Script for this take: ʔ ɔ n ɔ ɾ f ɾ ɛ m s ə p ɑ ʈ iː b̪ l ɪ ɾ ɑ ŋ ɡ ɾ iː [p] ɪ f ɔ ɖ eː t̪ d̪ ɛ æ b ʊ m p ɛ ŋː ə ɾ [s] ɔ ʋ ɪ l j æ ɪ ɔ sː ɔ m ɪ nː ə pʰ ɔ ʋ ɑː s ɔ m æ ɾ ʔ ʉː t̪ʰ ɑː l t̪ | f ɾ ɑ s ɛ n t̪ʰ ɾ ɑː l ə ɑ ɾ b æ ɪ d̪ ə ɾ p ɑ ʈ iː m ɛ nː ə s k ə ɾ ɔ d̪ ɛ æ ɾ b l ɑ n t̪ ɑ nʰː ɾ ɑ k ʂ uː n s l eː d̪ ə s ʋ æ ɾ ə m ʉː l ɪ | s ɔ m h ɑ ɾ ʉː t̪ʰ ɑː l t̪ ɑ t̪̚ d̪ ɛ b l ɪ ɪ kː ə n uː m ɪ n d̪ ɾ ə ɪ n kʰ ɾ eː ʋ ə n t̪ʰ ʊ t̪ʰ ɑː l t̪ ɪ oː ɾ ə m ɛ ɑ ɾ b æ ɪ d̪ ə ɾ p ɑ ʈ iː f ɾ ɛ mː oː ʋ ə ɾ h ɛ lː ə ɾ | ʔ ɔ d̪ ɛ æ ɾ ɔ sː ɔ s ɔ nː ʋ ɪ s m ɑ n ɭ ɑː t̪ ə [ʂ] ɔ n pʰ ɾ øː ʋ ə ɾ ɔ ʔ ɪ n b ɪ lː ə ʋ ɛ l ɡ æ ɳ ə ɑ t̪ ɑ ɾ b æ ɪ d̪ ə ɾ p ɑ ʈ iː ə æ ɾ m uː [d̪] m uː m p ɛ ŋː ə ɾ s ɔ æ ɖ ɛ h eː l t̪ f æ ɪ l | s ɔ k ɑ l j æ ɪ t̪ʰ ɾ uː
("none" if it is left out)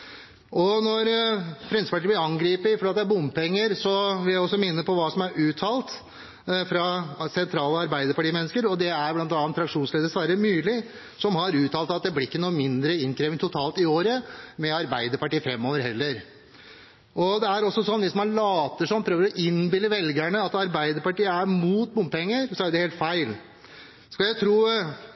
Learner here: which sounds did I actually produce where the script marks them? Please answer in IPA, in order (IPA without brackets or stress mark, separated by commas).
p, s, ʂ, t̪